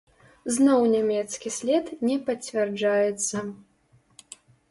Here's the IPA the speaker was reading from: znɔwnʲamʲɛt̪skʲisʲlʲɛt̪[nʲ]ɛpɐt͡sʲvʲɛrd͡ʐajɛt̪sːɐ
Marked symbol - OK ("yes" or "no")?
yes